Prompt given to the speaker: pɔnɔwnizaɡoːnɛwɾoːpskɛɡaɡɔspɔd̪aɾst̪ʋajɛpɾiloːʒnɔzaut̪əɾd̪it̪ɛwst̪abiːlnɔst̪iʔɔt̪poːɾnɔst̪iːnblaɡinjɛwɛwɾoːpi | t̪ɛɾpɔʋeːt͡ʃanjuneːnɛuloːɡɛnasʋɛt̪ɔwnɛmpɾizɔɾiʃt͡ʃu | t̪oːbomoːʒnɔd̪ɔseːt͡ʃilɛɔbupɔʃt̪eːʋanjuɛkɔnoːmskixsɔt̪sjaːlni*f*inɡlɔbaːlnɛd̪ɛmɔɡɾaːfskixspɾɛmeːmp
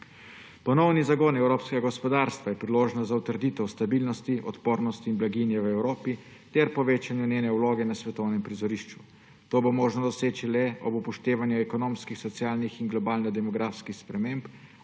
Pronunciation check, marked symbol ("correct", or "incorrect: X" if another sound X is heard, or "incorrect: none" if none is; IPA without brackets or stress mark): incorrect: x